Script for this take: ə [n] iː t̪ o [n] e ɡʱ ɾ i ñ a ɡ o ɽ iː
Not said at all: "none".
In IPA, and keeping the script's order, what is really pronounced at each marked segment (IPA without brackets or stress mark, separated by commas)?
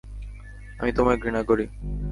m, m